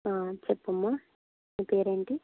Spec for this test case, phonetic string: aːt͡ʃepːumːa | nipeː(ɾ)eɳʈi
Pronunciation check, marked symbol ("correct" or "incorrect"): correct